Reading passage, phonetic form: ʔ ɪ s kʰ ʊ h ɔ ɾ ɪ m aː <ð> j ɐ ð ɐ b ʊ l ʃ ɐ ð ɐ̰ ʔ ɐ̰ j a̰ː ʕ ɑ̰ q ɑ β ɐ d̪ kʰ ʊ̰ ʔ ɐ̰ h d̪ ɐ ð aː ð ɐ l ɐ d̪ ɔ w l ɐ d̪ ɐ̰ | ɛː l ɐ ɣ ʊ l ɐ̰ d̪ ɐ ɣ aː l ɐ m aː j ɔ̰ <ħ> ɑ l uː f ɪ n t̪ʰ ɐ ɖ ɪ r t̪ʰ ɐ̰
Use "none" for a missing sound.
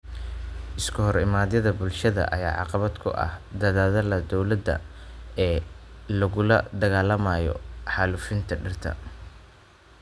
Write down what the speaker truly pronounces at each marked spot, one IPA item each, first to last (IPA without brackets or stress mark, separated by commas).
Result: ð, ħ